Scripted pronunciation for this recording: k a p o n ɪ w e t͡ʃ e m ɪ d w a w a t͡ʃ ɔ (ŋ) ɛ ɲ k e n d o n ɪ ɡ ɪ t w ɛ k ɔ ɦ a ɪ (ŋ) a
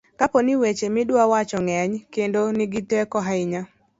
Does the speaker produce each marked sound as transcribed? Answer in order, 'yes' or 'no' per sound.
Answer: yes, no

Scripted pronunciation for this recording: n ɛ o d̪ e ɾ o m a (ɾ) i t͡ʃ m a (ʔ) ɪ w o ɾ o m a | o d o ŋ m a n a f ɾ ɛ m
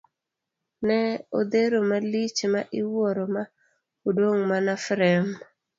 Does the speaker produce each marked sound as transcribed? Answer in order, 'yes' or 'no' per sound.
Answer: no, yes

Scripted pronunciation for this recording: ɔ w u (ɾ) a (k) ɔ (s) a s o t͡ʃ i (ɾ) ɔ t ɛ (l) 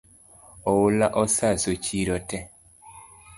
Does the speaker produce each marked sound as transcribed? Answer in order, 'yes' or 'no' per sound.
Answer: no, no, yes, yes, no

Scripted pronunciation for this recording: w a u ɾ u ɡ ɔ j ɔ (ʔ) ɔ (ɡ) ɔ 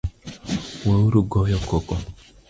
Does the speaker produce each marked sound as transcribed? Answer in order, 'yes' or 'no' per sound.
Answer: no, no

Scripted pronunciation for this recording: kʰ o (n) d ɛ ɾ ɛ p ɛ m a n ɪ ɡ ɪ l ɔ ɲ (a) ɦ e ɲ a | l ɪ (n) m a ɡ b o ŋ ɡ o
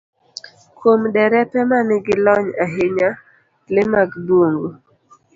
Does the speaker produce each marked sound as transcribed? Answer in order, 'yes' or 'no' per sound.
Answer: no, yes, no

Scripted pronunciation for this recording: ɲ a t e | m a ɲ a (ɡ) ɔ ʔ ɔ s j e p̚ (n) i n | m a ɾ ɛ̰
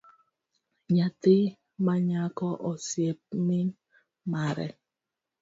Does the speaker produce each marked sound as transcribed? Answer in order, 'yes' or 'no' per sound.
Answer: no, no

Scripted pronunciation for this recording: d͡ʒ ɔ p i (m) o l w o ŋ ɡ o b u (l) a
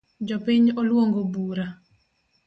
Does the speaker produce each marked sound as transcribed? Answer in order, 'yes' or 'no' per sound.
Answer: no, no

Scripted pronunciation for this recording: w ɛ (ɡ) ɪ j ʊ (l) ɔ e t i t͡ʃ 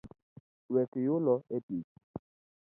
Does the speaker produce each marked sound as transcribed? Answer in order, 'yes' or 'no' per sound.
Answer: no, yes

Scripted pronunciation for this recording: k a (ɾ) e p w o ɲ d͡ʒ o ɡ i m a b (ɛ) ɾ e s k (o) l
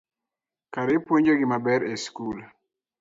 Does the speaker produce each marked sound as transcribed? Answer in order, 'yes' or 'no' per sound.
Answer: yes, yes, no

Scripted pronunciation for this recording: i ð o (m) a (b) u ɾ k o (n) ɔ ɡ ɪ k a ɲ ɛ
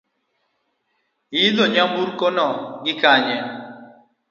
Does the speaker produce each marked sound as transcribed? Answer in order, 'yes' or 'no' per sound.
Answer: no, no, yes

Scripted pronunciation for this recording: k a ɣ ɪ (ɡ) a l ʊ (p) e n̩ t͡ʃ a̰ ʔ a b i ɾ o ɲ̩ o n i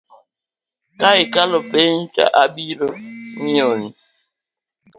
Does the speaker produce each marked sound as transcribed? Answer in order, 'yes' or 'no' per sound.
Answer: no, yes

